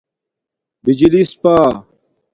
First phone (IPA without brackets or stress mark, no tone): b